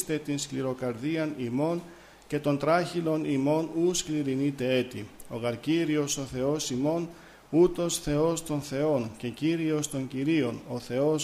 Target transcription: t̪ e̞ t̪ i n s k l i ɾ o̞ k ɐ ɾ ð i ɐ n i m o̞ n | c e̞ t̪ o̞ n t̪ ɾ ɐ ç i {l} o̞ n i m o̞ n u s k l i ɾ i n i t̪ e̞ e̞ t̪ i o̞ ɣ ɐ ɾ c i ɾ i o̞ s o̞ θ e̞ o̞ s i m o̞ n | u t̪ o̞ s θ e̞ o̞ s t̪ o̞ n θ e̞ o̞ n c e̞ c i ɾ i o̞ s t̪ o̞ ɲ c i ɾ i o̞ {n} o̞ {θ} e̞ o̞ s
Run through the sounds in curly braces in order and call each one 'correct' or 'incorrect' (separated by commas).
correct, correct, correct